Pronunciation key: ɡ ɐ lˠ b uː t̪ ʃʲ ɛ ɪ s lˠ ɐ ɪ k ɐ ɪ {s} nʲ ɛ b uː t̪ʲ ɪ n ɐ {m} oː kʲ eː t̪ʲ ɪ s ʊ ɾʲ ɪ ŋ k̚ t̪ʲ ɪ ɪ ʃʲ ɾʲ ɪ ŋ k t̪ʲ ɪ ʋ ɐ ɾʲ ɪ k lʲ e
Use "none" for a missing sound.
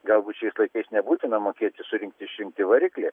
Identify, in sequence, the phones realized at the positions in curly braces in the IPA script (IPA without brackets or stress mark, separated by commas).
s, m